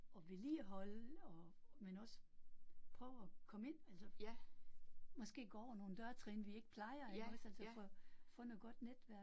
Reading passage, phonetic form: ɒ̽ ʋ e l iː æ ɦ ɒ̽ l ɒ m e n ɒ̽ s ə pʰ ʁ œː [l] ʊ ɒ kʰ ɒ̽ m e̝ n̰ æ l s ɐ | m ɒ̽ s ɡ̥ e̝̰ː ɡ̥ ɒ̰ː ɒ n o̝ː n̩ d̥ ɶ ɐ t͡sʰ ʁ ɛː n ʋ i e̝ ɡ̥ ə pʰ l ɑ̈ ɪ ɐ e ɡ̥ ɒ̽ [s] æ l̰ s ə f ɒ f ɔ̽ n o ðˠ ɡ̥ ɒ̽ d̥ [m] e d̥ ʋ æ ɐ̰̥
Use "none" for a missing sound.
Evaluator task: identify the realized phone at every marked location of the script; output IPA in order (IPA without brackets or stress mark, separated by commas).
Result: none, s, n